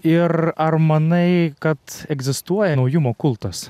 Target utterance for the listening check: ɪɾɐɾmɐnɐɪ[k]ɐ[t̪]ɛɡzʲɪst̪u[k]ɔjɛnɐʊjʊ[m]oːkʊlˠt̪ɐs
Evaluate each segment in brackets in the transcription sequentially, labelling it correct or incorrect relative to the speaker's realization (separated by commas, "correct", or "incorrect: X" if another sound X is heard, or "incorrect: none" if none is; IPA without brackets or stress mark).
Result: correct, correct, incorrect: none, correct